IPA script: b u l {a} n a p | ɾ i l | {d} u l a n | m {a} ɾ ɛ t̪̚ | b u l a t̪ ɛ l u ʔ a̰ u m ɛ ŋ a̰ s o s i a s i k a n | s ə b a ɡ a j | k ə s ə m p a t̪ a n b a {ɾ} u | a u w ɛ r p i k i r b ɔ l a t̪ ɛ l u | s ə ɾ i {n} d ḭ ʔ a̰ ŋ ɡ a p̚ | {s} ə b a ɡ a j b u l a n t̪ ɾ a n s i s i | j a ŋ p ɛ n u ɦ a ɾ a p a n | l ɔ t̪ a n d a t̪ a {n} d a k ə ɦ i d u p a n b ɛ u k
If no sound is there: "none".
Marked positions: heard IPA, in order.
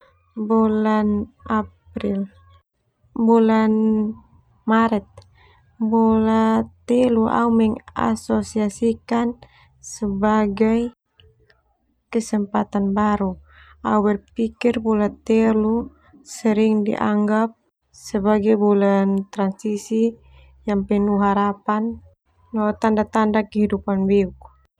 a, b, a, ɾ, ŋ, s, n

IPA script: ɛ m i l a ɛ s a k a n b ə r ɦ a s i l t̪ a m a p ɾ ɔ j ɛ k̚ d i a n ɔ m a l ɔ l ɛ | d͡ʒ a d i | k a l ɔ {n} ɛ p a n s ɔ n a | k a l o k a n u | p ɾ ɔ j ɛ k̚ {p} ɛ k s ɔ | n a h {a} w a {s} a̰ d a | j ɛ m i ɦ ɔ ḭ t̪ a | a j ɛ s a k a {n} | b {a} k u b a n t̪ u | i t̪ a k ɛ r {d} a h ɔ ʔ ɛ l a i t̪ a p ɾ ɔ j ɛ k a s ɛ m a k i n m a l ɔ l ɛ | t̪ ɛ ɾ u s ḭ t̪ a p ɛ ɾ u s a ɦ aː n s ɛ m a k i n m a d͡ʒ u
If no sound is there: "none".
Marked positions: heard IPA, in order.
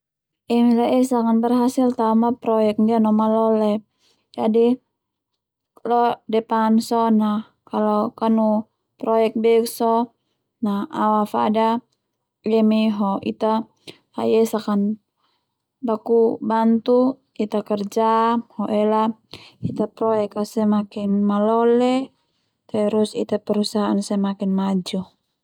d, b, a, f, n, a, d͡ʒ

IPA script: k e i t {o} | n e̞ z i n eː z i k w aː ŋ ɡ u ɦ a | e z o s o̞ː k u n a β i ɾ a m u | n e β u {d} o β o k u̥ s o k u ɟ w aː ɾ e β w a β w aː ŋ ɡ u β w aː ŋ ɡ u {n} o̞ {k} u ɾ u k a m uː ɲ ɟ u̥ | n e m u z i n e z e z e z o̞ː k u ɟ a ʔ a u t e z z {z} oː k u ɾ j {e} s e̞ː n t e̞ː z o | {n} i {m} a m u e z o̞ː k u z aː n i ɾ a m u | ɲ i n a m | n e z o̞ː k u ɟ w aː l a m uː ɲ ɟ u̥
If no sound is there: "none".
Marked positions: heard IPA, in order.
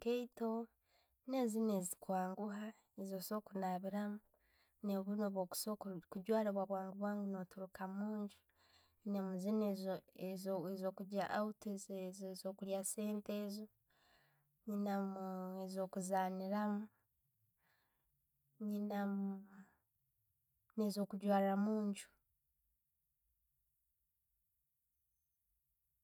o, n, n, t, z, a, ɲ, n

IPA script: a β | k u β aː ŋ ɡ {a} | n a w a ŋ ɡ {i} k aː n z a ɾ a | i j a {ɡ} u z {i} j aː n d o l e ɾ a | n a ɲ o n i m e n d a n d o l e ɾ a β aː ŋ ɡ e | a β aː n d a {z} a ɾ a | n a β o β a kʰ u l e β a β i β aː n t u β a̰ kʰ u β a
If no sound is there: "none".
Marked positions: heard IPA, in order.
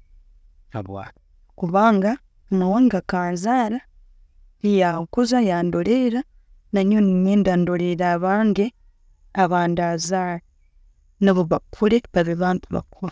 a, a, k, a, z

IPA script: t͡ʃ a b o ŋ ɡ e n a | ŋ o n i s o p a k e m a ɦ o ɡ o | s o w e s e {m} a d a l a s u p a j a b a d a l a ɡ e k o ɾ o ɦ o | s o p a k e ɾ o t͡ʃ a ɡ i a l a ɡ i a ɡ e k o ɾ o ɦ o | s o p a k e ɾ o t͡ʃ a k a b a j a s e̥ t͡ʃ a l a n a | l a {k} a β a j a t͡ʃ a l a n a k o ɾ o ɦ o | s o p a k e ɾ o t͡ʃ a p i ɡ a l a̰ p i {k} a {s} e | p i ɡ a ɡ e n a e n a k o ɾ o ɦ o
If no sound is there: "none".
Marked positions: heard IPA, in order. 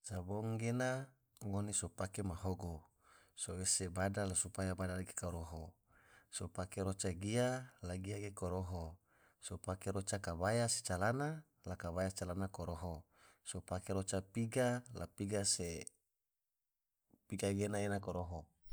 b, k, ɡ, s

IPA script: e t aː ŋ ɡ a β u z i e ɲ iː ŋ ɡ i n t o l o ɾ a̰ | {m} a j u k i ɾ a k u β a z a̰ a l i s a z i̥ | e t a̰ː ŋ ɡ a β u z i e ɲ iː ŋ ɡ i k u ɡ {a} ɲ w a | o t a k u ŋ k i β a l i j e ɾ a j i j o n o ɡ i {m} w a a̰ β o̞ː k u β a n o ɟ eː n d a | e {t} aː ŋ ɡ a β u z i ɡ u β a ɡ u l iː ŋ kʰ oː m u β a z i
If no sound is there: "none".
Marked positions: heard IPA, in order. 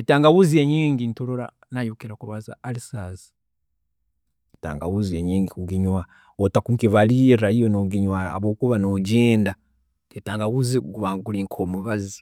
n, i, ɲ, t

